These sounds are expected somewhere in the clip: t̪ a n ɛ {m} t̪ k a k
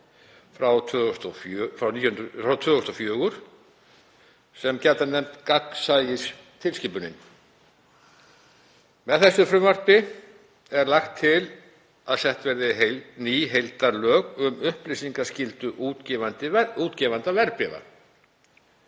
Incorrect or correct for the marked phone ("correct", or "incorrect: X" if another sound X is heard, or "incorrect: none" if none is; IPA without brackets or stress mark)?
correct